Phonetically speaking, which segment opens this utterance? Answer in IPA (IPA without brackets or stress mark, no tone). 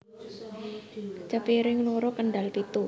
t͡ʃ